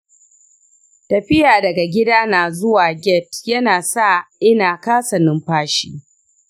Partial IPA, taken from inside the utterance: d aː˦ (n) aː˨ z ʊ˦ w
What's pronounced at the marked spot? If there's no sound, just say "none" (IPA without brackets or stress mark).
n